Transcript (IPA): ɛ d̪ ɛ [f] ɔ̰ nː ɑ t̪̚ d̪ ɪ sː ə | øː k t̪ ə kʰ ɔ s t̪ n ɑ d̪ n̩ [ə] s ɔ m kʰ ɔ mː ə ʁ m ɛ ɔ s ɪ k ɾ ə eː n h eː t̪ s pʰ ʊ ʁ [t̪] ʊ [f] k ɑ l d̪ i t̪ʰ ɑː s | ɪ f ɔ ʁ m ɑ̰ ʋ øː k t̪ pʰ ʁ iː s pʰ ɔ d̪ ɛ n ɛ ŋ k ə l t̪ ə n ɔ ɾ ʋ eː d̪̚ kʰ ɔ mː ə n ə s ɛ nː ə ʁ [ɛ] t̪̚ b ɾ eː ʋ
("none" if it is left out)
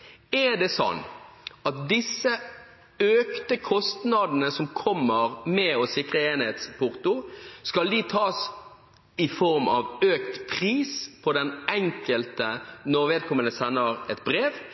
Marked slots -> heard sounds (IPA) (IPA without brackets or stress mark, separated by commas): s, ə, t̪, s, ɛ